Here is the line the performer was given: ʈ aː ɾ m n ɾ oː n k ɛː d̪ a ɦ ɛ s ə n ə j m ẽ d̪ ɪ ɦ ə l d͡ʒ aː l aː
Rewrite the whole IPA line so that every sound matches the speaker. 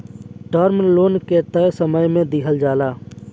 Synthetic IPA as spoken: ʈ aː ɾ m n l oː n k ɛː t̪ a ɦ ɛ s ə m ə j m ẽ d̪ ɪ ɦ ə l d͡ʒ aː l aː